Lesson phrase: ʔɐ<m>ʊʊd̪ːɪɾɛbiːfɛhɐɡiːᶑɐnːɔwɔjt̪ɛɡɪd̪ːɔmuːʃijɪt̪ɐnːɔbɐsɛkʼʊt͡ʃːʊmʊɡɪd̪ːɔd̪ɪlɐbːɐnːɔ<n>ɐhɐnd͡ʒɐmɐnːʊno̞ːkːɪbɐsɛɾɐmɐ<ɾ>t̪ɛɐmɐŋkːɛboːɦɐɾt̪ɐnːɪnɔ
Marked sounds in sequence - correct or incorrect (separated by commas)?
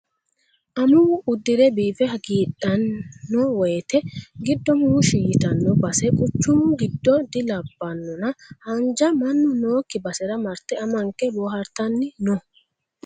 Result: correct, correct, correct